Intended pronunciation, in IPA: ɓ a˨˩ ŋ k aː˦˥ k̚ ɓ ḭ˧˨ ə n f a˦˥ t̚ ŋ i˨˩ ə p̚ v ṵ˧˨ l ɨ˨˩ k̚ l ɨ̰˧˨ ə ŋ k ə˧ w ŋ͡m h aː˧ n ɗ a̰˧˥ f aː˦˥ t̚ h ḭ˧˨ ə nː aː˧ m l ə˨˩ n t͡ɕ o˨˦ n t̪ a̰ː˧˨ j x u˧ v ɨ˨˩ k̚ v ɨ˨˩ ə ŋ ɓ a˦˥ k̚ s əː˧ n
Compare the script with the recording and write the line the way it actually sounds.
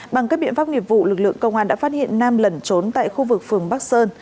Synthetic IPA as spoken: ɓ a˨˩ ŋ k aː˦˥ k̚ ɓ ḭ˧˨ ə n f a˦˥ p̚ ŋ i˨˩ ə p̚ v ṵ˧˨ l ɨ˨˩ k̚ l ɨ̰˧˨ ə ŋ k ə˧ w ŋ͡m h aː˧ n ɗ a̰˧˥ f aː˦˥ t̚ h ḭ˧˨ ə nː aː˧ m l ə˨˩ n t͡ɕ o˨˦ n t̪ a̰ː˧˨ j x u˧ v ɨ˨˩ k̚ f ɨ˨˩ ə ŋ ɓ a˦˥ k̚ s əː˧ n